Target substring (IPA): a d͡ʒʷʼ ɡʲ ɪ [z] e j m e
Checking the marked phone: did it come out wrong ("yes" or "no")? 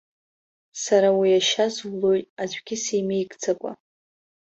yes